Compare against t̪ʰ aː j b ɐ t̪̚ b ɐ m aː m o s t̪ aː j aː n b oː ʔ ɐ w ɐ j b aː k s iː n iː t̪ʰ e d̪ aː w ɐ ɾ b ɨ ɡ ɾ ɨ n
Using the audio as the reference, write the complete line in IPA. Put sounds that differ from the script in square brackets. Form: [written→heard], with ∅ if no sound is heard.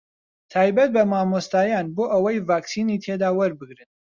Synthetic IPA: t̪ʰ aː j b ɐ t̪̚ b ɐ m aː m o s t̪ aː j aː n b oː ʔ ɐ w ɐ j [b→v] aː k s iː n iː t̪ʰ e d̪ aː w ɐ ɾ b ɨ ɡ ɾ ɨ n

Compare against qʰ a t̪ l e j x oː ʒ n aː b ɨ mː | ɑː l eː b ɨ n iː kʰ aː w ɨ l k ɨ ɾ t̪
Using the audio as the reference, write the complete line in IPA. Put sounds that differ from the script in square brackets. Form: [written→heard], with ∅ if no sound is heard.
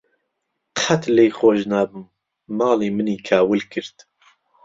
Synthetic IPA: qʰ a t̪ l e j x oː ʒ n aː b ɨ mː | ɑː l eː [b→m] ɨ n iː kʰ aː w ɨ l k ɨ ɾ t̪

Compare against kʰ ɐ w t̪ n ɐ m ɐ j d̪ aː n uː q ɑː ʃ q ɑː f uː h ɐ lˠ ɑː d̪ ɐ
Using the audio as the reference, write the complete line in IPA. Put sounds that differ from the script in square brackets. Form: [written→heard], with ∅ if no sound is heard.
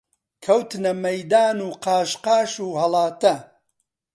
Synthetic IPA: kʰ ɐ w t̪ n ɐ m ɐ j d̪ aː n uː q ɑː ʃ q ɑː [f→ʃ] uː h ɐ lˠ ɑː [d̪→t̪] ɐ

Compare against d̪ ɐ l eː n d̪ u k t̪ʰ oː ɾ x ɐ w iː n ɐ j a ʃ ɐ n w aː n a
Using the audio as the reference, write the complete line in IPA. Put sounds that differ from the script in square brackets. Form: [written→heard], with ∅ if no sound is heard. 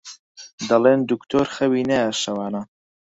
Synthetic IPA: d̪ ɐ l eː n d̪ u k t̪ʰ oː ɾ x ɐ w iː n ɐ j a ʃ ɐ [n→∅] w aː n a

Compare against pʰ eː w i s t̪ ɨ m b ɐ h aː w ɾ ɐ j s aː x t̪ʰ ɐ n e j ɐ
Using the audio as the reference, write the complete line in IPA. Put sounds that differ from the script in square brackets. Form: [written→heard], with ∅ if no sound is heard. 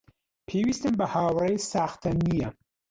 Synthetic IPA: pʰ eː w i s t̪ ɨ m b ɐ h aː w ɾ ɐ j s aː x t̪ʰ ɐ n [e→i] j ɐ

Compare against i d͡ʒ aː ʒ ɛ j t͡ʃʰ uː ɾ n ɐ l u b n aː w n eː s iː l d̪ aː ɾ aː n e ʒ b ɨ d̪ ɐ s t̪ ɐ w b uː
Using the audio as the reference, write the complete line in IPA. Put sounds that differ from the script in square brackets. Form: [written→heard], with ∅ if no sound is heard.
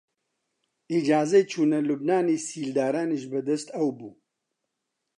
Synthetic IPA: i d͡ʒ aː [ʒ→z] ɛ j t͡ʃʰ uː [ɾ→∅] n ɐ l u b n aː [w→∅] n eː s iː l d̪ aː ɾ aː n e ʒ b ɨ d̪ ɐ s t̪ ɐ w b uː

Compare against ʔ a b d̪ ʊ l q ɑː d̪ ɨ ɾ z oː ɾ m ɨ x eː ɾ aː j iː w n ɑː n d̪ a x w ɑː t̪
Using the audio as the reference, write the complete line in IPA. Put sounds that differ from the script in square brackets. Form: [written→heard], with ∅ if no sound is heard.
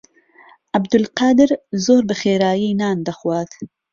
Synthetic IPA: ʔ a b d̪ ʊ l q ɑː d̪ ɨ ɾ z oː ɾ [m→b] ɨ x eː ɾ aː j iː [w→∅] n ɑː n d̪ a x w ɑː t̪

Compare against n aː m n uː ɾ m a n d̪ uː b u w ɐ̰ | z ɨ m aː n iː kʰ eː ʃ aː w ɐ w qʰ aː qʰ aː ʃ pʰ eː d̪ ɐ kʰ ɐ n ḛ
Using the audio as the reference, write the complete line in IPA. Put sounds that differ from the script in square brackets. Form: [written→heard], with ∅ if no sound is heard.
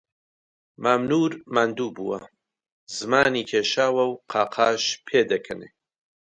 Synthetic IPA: [n→m] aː m n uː ɾ m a n d̪ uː b u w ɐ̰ | z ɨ m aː n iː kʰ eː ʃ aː w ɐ w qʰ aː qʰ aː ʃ pʰ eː d̪ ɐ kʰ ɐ n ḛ

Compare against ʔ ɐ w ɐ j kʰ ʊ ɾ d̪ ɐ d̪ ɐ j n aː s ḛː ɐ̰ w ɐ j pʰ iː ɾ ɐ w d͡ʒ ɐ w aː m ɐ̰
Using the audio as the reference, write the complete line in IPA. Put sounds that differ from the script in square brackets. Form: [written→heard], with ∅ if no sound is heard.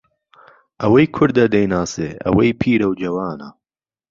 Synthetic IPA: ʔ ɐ w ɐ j kʰ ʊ ɾ d̪ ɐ d̪ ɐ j n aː s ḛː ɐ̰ w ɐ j pʰ iː ɾ ɐ w d͡ʒ ɐ w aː [m→n] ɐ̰

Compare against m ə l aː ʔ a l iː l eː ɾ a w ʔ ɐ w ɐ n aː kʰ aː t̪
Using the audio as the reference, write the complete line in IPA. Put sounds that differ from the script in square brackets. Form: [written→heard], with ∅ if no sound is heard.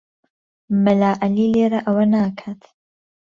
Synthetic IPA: m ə l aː ʔ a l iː l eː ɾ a [w→∅] ʔ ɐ w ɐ n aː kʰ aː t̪

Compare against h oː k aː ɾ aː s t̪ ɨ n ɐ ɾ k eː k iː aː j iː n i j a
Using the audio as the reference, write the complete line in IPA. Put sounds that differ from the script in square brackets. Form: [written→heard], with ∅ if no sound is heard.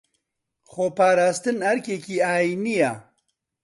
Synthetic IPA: [h→x] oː [k→p] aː ɾ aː s t̪ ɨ n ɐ ɾ k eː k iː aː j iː n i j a

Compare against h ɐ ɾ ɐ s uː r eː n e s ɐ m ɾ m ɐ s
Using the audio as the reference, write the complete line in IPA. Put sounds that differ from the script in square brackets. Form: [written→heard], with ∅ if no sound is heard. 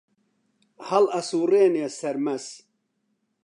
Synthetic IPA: h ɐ [ɾ→l] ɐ s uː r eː n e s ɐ [m→∅] ɾ m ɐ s

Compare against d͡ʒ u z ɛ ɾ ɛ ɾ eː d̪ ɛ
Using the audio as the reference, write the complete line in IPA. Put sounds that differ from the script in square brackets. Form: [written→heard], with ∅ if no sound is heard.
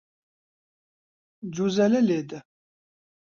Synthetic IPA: d͡ʒ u z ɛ [ɾ→l] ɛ [ɾ→l] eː d̪ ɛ

